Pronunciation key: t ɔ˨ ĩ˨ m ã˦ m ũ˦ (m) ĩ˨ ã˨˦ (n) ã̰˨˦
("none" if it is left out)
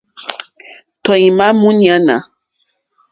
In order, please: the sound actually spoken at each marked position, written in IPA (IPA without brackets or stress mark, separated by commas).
n, n